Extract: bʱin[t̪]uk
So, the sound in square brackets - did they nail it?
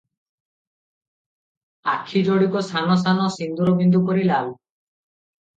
no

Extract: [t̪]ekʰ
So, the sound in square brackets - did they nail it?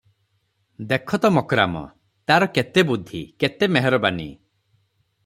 no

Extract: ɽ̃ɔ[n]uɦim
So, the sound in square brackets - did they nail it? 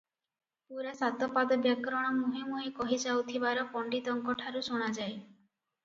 no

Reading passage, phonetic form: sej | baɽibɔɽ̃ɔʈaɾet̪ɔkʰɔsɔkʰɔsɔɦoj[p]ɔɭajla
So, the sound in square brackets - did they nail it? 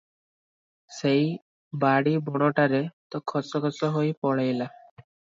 yes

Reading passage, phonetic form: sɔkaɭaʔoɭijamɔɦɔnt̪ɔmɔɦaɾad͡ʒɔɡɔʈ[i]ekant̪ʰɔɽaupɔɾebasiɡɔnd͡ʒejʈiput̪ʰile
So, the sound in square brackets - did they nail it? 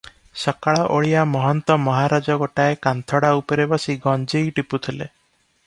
no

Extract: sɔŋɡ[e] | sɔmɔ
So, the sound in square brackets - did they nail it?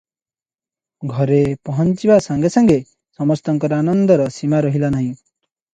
yes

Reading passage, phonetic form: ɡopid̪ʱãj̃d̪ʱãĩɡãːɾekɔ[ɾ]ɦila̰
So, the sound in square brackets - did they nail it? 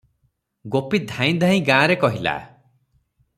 no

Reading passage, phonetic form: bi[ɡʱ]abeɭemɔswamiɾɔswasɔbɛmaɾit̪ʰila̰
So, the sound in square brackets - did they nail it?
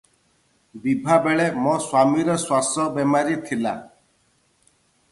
no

